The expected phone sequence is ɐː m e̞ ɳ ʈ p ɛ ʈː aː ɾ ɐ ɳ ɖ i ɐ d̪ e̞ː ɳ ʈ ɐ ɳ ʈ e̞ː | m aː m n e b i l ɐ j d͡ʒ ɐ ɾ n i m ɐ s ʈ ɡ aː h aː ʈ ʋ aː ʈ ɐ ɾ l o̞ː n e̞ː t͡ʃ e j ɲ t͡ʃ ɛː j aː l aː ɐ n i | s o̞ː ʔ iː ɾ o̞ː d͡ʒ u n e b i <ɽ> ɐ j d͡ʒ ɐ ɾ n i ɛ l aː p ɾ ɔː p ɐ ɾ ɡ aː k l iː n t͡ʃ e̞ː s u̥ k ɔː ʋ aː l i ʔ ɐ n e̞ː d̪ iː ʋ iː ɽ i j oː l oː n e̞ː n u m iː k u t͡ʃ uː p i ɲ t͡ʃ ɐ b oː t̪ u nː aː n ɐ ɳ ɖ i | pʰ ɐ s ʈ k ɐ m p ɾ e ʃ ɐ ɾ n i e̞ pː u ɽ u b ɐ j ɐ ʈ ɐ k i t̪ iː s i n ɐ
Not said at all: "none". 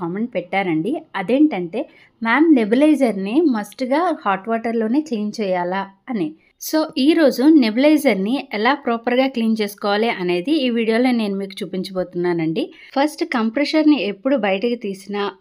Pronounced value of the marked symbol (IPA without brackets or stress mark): l